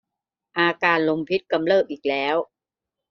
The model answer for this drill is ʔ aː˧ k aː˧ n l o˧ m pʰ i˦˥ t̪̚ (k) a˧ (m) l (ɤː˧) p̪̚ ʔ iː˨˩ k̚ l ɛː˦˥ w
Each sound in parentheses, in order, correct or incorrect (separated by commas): correct, correct, incorrect